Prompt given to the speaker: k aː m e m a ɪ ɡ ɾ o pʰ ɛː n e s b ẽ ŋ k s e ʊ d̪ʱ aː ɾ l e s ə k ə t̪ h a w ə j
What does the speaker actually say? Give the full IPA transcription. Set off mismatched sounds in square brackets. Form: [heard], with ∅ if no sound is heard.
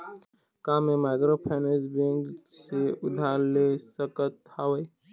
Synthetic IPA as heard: k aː m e m a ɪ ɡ ɾ o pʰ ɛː n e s b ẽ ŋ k s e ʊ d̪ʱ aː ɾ l e s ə k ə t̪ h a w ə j